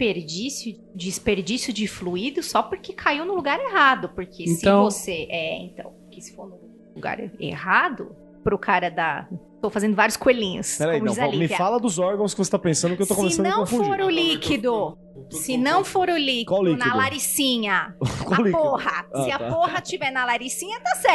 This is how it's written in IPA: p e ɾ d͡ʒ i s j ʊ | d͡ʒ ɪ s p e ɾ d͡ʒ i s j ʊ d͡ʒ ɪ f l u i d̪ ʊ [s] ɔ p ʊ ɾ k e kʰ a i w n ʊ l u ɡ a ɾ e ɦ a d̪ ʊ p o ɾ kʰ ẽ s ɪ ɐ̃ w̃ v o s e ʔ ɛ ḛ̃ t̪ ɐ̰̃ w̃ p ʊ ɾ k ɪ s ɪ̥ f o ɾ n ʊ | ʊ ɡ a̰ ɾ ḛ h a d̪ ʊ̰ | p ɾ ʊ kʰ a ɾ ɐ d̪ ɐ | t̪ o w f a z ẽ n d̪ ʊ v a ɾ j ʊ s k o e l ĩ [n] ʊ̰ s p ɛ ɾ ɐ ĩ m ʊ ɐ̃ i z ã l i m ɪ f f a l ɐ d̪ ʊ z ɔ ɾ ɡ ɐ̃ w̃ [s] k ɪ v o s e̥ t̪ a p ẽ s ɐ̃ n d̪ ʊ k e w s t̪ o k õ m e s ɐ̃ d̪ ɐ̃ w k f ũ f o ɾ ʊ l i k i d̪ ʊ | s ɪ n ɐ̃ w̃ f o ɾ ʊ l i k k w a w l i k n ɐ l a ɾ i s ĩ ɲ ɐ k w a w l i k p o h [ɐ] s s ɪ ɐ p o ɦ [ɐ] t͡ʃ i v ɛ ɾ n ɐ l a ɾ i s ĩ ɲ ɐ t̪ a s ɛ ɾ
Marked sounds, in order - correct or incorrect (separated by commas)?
correct, incorrect, correct, correct, correct